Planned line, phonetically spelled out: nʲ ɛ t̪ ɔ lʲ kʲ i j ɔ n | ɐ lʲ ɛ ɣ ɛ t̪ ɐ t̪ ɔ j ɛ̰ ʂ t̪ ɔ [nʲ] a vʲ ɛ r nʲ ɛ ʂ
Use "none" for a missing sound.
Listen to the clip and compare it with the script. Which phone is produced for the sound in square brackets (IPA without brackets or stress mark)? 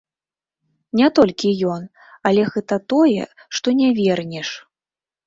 nʲ